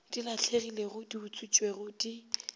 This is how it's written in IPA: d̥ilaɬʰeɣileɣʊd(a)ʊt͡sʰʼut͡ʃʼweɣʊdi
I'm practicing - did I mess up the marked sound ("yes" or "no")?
yes